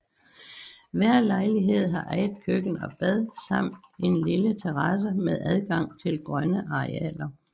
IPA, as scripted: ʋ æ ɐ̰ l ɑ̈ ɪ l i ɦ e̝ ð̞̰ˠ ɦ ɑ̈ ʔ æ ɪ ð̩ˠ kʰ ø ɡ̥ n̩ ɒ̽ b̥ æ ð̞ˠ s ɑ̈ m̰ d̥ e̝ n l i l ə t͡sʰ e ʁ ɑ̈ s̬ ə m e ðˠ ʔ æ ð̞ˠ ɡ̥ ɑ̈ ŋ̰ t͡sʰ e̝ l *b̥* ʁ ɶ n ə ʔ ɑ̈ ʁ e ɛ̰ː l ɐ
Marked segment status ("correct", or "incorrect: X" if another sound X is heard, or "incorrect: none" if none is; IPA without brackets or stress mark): incorrect: ɡ̥